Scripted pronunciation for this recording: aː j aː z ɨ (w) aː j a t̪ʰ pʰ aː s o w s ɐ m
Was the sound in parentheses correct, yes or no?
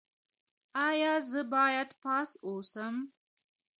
no